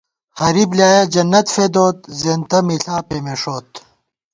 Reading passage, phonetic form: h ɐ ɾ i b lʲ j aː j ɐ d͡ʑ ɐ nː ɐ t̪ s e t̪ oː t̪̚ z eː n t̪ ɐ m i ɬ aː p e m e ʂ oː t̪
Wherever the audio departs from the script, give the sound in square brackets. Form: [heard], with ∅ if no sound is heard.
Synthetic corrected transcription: h ɐ ɾ i b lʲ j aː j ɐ d͡ʑ ɐ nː ɐ t̪ [f] e [d̪] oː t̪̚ z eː n t̪ ɐ m i ɬ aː p e m e ʂ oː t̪